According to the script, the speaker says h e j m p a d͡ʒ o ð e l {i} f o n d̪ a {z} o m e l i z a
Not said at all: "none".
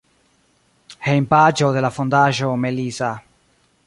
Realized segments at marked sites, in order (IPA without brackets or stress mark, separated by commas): a, ʒ